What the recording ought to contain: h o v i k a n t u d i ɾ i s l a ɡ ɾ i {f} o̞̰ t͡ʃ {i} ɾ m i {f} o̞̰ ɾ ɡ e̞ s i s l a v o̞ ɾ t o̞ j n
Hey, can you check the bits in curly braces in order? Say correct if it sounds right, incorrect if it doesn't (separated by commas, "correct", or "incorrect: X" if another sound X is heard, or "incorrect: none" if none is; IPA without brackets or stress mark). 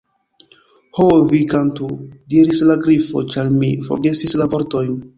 correct, incorrect: a, correct